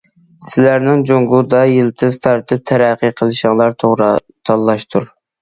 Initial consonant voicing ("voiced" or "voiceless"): voiceless